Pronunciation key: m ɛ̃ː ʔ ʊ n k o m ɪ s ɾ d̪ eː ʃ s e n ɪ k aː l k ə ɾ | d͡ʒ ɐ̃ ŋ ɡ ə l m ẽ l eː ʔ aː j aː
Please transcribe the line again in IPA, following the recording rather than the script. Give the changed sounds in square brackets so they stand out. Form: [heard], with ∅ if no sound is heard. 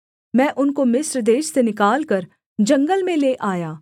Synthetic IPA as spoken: m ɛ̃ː ʔ ʊ n k o m ɪ s ɾ d̪ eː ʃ s e n ɪ k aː l k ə ɾ | d͡ʒ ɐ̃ ŋ ɡ ə l m ẽ l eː ʔ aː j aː